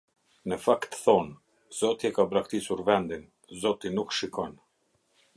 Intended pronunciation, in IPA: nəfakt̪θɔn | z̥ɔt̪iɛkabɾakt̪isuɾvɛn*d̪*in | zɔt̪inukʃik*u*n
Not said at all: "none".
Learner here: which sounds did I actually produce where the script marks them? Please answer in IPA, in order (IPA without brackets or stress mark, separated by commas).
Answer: d̪, ɔ